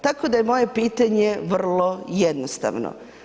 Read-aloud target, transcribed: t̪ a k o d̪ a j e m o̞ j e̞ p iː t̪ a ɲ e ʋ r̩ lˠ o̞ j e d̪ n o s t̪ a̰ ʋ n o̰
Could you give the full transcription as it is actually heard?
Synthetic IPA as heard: t̪ a k o d̪ a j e m o̞ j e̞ p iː t̪ a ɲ e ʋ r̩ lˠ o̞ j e d̪ n o s t̪ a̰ ʋ n o̰